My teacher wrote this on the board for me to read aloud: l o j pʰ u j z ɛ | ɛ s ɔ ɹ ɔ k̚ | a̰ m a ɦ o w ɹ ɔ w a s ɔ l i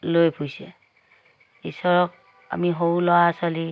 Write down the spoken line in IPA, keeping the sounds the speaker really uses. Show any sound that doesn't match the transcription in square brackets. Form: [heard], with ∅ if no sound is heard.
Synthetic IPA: l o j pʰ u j [s] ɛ | [i] s ɔ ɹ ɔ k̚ | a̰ m [i] ɦ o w [l] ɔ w a s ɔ l i